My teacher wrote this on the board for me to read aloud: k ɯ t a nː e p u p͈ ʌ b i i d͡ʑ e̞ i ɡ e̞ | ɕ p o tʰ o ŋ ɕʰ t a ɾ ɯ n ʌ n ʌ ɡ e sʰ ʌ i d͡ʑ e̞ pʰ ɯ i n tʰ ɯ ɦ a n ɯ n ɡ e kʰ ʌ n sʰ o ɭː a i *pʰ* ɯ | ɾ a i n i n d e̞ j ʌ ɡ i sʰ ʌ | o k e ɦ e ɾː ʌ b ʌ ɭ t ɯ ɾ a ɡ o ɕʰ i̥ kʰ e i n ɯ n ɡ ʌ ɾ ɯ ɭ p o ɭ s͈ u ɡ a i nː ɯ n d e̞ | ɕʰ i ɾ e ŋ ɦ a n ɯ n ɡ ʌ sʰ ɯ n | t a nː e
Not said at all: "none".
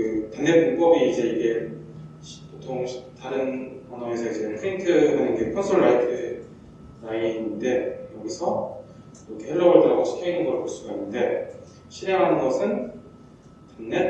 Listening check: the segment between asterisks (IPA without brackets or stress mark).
tʰ